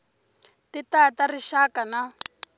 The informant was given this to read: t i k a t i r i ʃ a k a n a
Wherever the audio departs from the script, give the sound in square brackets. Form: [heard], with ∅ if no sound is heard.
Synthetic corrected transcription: t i [t] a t [a] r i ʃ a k a n a